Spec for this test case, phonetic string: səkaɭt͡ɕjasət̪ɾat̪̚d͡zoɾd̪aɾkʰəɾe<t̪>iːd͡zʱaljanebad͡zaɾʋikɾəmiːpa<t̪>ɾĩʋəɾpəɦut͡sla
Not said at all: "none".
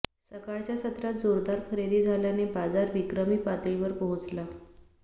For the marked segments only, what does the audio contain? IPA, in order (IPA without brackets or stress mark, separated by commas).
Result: d̪, t̪